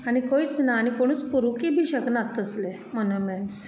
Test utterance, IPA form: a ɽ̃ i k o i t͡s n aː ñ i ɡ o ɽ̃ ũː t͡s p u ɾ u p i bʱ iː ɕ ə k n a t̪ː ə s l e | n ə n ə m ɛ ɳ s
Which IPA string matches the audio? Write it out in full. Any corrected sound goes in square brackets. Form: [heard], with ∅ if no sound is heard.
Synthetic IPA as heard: a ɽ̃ i k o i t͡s n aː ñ i [k] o ɽ̃ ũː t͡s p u ɾ u [k] i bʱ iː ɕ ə k n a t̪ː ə s l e | [m] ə n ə m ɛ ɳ s